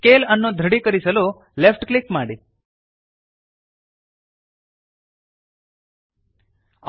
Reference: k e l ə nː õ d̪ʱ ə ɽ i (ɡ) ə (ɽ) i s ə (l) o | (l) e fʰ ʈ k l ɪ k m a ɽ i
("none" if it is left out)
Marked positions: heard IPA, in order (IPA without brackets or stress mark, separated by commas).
k, ɾ, l, l